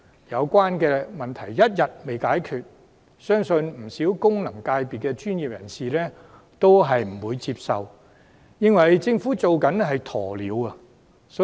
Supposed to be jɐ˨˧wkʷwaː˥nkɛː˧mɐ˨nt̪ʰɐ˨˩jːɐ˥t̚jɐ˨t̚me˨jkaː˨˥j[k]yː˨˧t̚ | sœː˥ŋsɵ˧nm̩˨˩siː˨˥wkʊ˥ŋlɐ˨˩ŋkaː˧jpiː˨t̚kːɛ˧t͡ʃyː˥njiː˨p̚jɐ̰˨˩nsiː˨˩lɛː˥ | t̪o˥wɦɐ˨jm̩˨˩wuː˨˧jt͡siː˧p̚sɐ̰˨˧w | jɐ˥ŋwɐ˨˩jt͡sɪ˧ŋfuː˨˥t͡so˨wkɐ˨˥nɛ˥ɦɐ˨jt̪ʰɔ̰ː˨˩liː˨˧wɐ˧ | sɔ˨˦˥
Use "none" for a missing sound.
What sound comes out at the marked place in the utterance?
kʰ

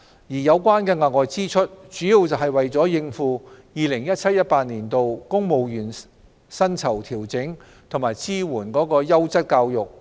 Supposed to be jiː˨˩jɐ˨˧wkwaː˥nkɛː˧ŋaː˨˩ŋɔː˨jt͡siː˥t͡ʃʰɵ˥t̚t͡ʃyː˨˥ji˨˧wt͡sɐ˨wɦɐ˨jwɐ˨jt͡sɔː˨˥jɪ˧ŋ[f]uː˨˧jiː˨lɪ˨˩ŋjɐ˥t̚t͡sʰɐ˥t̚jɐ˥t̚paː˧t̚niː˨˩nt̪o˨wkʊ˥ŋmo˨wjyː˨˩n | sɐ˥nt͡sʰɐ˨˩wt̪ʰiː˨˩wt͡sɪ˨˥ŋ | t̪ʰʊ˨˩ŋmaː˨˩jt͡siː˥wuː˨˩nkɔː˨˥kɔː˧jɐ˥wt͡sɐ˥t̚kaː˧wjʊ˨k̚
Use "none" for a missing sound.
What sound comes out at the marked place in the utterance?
f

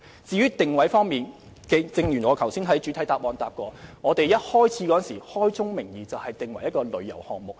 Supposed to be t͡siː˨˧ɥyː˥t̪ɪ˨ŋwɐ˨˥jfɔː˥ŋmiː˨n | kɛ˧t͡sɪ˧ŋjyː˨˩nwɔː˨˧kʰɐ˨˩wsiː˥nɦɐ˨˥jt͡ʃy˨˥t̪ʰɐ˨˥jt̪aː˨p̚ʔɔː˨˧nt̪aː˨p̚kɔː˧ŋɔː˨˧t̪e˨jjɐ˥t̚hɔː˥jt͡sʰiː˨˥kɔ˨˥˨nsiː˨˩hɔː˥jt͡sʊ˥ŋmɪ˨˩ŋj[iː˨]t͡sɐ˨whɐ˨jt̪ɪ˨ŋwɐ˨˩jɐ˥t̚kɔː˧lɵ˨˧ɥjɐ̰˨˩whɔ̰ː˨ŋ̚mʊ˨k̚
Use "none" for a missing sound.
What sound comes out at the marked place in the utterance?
iː˨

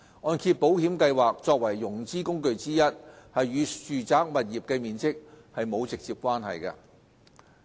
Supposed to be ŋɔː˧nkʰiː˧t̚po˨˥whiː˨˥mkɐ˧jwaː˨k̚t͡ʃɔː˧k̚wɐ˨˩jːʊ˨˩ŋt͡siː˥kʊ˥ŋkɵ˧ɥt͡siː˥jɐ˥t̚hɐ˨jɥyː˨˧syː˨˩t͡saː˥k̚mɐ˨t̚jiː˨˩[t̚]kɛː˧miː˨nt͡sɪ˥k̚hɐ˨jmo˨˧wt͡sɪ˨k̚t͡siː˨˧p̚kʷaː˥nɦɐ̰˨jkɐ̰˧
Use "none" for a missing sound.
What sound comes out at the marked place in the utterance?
p̚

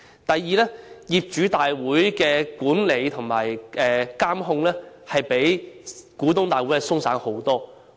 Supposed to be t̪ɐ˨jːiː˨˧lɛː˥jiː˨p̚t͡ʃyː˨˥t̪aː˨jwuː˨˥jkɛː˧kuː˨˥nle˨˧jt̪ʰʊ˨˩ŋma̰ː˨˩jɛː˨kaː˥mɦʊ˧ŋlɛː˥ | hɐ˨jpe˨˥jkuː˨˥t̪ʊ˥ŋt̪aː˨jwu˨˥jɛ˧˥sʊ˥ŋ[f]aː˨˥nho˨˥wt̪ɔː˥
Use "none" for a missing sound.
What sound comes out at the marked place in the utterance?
s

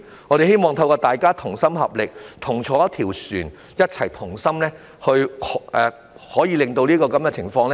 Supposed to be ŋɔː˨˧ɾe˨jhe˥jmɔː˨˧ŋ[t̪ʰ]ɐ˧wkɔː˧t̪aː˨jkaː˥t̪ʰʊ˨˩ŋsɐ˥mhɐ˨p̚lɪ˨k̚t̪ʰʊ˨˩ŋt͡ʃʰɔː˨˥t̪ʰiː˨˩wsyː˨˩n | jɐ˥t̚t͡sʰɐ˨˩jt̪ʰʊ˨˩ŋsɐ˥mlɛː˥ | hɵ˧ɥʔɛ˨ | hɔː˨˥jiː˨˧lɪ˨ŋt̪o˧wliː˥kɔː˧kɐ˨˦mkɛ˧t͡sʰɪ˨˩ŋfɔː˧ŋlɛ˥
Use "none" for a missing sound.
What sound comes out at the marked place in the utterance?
t̪ʰ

